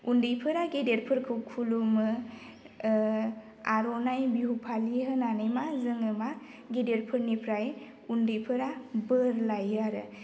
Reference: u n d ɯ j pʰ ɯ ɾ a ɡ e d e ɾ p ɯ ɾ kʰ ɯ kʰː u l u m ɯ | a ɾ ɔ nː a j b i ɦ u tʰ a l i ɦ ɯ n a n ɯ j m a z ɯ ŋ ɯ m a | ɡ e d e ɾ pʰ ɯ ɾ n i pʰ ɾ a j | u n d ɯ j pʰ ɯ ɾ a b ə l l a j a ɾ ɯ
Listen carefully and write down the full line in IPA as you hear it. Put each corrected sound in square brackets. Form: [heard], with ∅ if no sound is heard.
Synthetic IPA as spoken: u n d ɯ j pʰ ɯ ɾ a ɡ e d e ɾ [pʰ] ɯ ɾ kʰ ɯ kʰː u l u m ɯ | a ɾ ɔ [n] a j b i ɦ u [pʰ] a l i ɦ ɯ n a n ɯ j m a z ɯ ŋ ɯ m a | ɡ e d e ɾ pʰ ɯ ɾ n i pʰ ɾ a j | u n d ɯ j pʰ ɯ ɾ a b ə [ɾ] l a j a ɾ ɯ